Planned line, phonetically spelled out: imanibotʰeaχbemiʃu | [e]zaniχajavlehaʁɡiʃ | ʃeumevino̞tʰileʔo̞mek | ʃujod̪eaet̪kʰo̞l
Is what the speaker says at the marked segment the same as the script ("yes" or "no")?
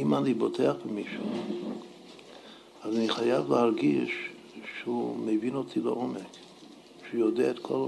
no